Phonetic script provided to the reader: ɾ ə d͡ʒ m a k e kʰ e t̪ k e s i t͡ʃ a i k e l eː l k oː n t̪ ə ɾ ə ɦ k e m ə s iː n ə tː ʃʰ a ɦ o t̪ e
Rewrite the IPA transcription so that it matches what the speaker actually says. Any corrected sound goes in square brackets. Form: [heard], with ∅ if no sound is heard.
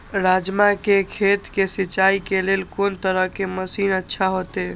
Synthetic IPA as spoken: ɾ [a] d͡ʒ m a k e kʰ e t̪ k e s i t͡ʃ a i k e l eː l k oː n t̪ ə ɾ ə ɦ k e m ə s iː n ə tː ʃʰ a ɦ o t̪ e